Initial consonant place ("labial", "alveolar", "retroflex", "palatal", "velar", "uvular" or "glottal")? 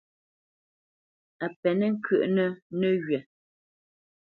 labial